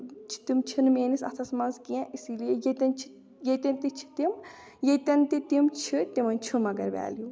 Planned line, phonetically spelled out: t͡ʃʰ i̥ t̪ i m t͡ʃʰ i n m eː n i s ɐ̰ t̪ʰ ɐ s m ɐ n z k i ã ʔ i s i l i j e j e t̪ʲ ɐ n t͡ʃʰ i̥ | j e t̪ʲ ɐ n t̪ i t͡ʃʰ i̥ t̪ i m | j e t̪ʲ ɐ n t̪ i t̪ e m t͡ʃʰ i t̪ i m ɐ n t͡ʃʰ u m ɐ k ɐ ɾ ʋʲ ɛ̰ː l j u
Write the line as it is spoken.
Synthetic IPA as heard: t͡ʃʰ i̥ t̪ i m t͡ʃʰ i n m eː n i s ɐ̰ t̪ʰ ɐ s m ɐ n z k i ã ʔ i s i l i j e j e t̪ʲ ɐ n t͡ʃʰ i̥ | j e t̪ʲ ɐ n t̪ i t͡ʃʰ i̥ t̪ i m | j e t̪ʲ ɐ n t̪ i t̪ i m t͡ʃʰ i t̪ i m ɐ n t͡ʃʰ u m ɐ ɡ ɐ ɾ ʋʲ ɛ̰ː l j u

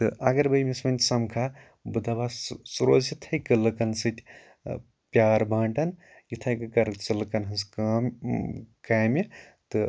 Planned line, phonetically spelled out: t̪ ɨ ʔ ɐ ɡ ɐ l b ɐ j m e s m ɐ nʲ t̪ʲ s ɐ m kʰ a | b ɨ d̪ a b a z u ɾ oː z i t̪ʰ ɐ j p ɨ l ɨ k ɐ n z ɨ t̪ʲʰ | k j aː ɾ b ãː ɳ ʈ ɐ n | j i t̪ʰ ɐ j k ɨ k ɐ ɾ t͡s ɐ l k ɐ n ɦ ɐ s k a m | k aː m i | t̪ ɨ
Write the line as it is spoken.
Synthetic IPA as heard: t̪ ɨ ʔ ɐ ɡ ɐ ɾ b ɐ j m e s m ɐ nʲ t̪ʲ s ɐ m kʰ a | b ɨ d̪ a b a s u ɾ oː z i t̪ʰ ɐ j k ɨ l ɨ k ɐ n s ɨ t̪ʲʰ | p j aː ɾ b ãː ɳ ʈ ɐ n | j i t̪ʰ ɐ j k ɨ k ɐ ɾ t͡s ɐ l k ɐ n ɦ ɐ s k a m | k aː m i | t̪ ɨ

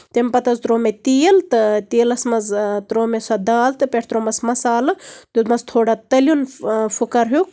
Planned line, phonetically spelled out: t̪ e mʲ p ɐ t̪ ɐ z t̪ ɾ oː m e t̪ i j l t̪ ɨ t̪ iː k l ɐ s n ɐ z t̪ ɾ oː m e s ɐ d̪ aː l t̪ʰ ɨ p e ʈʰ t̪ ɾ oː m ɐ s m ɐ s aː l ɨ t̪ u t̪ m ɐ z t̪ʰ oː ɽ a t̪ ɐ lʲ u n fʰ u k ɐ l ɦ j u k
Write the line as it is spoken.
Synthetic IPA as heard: t̪ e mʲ p ɐ t̪ ɐ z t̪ ɾ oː m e t̪ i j l t̪ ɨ t̪ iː l ɐ s m ɐ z t̪ ɾ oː m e s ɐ d̪ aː l t̪ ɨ p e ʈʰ t̪ ɾ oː m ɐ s m ɐ s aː l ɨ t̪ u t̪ m ɐ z t̪ʰ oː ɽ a t̪ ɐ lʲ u n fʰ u k ɐ ɾ ɦ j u k

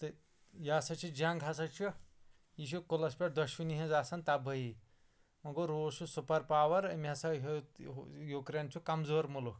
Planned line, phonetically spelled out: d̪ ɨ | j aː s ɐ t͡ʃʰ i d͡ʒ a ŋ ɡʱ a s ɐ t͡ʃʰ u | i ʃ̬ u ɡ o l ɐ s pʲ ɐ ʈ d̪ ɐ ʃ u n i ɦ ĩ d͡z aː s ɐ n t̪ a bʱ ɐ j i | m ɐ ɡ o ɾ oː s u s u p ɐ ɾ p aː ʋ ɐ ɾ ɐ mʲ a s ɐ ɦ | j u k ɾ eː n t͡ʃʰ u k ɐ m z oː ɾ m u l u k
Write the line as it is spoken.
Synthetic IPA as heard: t̪ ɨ | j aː s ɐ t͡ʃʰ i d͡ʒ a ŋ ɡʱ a s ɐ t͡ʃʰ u | i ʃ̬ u k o l ɐ s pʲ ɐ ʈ d̪ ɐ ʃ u n i ɦ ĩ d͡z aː s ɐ n t̪ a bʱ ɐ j i | m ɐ ɡ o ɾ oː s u s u p ɐ ɾ p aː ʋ ɐ ɾ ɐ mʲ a s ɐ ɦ | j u k ɾ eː n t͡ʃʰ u k ɐ m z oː ɾ m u l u k

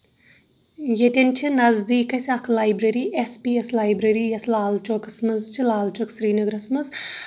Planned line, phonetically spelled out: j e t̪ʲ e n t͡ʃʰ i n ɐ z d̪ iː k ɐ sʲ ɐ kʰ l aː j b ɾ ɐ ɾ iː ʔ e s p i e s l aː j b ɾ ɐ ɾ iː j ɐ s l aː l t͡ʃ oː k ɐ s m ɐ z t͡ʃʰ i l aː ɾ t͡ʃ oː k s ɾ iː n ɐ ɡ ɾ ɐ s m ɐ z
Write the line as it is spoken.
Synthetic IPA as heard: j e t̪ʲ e n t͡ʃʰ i n ɐ z d̪ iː k ɐ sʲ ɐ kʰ l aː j b ɾ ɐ ɾ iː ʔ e s p i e s l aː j b ɾ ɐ ɾ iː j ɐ s l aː l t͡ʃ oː k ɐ s m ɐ z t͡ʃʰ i l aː l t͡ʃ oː k s ɾ iː n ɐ ɡ ɾ ɐ s m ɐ z

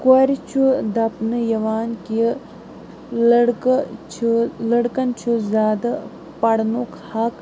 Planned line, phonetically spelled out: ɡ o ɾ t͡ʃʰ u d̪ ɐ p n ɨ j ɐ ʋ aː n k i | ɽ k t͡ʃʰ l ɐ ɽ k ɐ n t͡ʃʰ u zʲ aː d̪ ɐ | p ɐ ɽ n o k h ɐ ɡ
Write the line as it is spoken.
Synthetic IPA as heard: k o ɾ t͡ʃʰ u d̪ ɐ p n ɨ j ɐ ʋ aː n k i | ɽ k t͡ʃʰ l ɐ ɽ k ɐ n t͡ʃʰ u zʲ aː d̪ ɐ | p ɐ ɽ n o k h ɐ k

